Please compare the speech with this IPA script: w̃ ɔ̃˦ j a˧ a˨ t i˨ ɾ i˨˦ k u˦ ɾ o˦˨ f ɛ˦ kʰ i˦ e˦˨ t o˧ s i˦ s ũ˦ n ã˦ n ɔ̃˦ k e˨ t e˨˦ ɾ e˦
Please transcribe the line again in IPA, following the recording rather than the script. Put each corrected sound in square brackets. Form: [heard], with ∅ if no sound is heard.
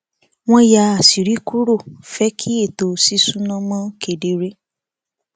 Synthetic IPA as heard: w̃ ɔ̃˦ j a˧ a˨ [s] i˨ ɾ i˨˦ k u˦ ɾ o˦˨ f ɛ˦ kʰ i˦ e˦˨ t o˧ s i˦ s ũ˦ n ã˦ [m] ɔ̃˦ k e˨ [d] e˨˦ ɾ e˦